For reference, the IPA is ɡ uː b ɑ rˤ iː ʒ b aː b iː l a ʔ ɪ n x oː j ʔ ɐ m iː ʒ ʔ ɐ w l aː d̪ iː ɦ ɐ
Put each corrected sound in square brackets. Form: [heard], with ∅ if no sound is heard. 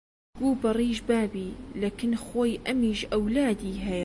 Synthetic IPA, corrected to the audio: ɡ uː b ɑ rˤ iː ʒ b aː b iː l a [k] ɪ n x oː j ʔ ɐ m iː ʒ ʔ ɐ w l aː d̪ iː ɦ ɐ